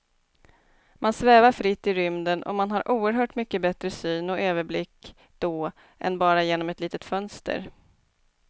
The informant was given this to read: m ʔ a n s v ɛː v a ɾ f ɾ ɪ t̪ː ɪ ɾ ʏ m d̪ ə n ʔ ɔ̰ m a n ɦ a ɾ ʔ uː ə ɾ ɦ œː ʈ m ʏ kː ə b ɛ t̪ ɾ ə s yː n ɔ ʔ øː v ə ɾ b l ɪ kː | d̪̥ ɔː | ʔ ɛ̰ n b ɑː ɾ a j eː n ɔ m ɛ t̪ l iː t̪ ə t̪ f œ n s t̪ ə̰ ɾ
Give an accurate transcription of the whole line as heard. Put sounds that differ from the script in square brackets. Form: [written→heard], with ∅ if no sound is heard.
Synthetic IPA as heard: m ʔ a n s v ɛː v a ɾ f ɾ ɪ t̪ː ɪ ɾ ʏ m d̪ ə n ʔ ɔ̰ m a n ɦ a ɾ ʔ uː ə ɾ ɦ œː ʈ m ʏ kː ə b ɛ t̪ ɾ ə s yː n ɔ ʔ øː v ə ɾ b l ɪ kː | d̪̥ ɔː | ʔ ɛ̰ n b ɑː ɾ a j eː n ɔ m ɛ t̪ l iː t̪ ə t̪ f œ n s t̪ ə̰ ɾ